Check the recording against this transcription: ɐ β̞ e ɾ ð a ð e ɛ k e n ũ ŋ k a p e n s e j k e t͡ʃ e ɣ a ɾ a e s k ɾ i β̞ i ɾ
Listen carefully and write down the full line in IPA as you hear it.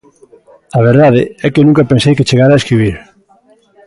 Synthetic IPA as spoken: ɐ β̞ e ɾ ð a ð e ɛ k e n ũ ŋ k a p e n s e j k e t͡ʃ e ɣ a ɾ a e s k ɾ i β̞ i ɾ